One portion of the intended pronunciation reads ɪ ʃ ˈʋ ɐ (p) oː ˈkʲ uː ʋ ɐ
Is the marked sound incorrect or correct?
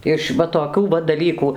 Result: incorrect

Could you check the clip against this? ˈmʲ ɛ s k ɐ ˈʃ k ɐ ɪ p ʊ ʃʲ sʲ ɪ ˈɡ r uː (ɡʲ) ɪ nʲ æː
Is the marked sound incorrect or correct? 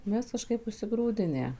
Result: incorrect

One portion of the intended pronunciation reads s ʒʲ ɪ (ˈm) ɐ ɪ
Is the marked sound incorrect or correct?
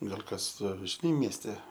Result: incorrect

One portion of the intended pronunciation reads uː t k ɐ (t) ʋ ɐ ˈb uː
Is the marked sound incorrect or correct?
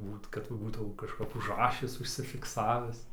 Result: correct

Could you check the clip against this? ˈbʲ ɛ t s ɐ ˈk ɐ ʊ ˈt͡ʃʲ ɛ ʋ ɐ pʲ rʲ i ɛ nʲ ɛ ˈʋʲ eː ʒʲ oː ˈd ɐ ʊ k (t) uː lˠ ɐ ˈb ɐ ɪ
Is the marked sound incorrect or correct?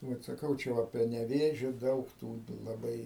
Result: correct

